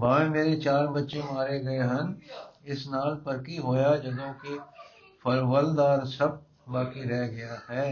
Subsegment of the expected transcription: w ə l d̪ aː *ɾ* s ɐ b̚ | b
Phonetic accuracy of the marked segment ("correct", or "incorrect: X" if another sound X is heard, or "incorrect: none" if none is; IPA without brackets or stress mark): correct